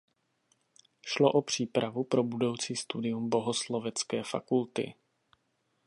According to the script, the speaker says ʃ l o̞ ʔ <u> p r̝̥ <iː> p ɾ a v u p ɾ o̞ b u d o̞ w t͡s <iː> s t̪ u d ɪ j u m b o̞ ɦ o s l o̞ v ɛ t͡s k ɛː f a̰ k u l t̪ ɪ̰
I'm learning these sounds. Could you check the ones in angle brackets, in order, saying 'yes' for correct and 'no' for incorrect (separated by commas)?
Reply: no, yes, yes